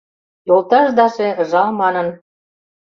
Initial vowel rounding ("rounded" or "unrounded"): rounded